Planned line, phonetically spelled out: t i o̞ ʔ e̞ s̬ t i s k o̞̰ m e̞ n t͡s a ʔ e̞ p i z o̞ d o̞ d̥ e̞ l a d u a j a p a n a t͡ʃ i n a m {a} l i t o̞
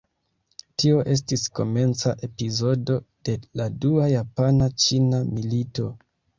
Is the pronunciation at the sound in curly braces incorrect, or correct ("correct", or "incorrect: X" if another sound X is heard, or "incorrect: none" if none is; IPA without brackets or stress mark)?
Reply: incorrect: i